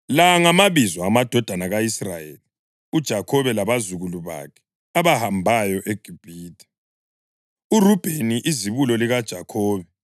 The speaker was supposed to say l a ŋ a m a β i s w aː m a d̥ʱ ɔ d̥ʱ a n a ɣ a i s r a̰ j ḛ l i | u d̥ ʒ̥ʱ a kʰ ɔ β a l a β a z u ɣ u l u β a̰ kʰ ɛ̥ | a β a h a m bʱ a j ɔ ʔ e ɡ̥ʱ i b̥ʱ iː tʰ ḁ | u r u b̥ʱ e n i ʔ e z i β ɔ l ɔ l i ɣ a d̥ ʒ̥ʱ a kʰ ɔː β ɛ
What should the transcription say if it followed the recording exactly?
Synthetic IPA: l a ŋ a m a β i z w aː m a d̥ʱ ɔ d̥ʱ a n a ɣ a i s r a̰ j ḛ l i | u d̥ ʒ̥ʱ a kʰ ɔ β ɛ l a β a z u ɣ u l u β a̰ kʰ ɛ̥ | a β a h a m bʱ a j ɔ ʔ e ɡ̥ʱ i b̥ʱ iː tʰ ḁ | u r u b̥ʱ e n i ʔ i z i β u l ɔ l i ɣ a d̥ ʒ̥ʱ a kʰ ɔː β ɛ